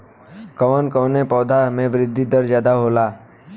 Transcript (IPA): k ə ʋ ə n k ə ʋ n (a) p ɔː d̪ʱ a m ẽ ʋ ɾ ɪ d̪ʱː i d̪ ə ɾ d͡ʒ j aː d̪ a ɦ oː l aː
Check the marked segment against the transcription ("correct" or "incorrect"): incorrect